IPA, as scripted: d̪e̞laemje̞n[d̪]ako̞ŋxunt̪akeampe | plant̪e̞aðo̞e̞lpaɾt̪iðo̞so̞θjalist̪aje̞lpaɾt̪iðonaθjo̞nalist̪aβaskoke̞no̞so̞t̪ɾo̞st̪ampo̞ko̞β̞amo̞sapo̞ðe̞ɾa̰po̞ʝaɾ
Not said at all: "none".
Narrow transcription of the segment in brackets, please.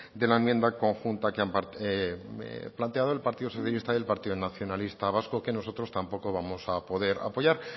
d̪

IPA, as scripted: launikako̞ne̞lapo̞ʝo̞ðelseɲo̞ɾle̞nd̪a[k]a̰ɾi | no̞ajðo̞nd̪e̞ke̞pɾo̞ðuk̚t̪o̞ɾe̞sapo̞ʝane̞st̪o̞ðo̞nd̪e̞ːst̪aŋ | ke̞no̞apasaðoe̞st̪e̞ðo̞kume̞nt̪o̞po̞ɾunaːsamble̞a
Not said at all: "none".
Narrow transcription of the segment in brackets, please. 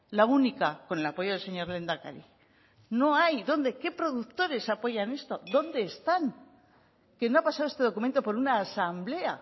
k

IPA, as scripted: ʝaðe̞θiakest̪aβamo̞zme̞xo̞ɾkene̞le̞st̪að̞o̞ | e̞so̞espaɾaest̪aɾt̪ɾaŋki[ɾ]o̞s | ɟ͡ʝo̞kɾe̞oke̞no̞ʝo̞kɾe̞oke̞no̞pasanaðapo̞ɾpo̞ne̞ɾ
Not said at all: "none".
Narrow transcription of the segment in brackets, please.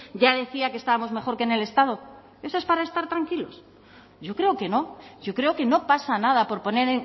l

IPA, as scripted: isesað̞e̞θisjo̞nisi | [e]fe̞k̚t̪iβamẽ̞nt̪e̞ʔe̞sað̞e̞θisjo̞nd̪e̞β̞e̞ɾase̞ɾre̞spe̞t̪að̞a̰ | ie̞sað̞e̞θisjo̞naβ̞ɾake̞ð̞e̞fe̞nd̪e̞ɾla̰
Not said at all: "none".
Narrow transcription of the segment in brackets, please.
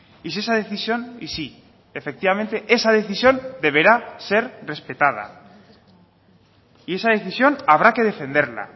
e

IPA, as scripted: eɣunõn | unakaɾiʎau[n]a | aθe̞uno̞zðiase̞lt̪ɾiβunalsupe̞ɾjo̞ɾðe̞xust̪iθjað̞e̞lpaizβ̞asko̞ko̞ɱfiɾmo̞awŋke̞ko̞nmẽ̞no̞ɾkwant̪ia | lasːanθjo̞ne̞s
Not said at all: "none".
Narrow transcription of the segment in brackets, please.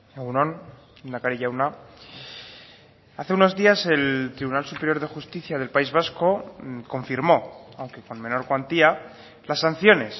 n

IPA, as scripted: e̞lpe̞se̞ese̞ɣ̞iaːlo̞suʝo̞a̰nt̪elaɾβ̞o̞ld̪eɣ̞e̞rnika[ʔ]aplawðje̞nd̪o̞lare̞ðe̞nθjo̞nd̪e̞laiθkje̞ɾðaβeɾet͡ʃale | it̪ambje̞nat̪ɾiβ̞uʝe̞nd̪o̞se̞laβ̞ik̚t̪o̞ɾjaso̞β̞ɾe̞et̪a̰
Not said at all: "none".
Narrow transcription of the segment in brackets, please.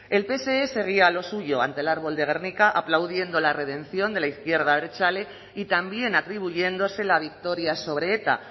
ʔ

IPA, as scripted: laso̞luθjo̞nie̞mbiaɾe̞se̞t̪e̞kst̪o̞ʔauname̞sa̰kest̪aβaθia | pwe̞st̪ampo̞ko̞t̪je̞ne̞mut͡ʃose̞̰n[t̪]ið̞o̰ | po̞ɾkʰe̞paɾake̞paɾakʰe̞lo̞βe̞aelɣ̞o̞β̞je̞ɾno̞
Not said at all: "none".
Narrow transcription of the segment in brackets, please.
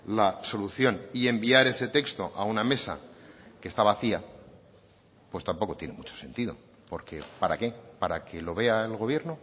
t̪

